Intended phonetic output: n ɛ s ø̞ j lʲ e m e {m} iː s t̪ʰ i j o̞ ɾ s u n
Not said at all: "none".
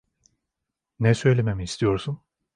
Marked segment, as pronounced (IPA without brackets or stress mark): m